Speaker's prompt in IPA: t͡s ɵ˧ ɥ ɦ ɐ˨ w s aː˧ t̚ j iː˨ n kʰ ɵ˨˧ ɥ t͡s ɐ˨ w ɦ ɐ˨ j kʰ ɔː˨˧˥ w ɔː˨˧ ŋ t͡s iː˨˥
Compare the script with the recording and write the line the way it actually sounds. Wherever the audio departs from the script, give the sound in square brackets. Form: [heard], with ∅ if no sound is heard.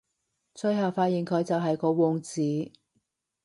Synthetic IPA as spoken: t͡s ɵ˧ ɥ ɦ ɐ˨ w [f] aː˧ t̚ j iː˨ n kʰ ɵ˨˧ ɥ t͡s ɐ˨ w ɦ ɐ˨ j [k] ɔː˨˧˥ w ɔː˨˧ ŋ t͡s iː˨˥

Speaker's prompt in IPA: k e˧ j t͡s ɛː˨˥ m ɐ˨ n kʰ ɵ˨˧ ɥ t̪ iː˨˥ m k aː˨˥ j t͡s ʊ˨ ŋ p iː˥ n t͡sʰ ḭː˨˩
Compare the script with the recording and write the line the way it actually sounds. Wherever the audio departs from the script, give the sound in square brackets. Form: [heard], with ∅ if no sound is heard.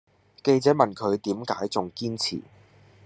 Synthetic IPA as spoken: k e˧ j t͡s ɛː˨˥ m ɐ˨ n kʰ ɵ˨˧ ɥ t̪ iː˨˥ m k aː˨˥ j t͡s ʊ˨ ŋ [k] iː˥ n t͡sʰ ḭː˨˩

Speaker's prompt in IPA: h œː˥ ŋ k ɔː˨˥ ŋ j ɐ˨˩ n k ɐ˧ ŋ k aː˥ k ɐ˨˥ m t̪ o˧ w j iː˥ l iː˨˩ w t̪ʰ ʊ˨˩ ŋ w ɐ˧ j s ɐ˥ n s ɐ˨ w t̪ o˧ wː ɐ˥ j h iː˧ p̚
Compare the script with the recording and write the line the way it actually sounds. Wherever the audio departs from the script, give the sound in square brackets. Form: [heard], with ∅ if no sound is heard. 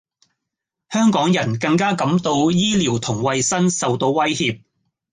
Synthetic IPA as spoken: h œː˥ ŋ k ɔː˨˥ ŋ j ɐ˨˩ n k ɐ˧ ŋ k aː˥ k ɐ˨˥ m t̪ o˧ w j iː˥ l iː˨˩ w t̪ʰ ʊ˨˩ ŋ w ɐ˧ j s ɐ˥ n s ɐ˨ w t̪ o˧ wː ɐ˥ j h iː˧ p̚

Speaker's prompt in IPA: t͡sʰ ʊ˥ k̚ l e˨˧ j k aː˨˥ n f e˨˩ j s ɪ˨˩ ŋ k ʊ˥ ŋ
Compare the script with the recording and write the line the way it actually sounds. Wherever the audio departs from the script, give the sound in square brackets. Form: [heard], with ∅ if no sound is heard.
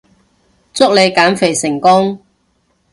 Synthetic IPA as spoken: [t͡s] ʊ˥ k̚ l e˨˧ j k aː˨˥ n f e˨˩ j s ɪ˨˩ ŋ k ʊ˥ ŋ

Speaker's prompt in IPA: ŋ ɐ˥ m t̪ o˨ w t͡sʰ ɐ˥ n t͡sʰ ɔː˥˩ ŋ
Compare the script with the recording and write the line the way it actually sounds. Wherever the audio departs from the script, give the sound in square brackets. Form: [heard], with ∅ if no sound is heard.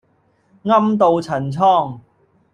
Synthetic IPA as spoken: ŋ ɐ˥ m t̪ o˨ w t͡sʰ [ɐ˨˩] n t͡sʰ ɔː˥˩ ŋ

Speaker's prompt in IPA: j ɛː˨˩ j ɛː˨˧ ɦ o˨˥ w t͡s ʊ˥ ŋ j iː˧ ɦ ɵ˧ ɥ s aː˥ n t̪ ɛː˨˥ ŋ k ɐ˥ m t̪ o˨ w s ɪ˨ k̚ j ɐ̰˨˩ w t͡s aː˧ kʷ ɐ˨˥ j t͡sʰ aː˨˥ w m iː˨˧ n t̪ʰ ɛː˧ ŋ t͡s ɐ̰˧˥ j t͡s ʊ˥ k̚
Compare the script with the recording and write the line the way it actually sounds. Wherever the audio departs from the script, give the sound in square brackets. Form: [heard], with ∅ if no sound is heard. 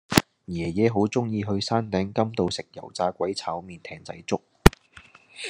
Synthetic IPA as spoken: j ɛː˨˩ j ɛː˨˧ ɦ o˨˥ w t͡s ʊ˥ ŋ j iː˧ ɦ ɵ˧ ɥ s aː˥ n t̪ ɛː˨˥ ŋ k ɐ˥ m t̪ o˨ w s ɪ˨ k̚ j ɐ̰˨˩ w t͡s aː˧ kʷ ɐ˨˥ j t͡sʰ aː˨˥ w m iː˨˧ n t̪ʰ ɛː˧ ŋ t͡s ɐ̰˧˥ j t͡s ʊ˥ k̚

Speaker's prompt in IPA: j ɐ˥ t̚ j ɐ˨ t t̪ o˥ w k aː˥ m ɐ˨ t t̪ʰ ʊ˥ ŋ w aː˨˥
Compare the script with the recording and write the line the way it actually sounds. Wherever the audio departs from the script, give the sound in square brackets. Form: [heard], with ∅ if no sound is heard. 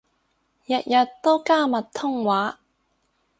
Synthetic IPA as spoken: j [ɐ˨] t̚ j ɐ˨ t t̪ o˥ w k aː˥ m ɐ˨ t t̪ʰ ʊ˥ ŋ w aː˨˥

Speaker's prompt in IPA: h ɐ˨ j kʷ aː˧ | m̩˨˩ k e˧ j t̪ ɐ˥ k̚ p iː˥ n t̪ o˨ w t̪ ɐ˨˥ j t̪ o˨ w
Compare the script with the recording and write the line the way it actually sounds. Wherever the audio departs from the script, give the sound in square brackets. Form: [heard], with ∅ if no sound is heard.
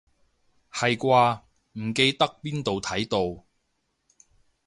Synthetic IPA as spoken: h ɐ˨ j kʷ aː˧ | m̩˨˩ k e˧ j t̪ ɐ˥ k̚ p iː˥ n t̪ o˨ w [t̪ʰ] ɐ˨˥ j t̪ o˨ w

